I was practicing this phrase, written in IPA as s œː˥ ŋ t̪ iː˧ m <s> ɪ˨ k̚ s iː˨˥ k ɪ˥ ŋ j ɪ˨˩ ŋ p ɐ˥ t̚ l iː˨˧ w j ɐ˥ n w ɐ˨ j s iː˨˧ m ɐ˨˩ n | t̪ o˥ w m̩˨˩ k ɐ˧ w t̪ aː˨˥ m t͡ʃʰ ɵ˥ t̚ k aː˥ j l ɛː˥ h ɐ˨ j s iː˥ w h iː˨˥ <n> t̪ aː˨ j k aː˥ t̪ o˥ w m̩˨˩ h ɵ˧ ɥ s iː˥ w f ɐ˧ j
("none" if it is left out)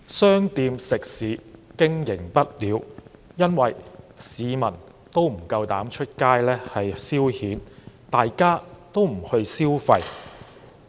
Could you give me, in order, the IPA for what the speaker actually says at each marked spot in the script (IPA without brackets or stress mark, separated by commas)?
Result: s, n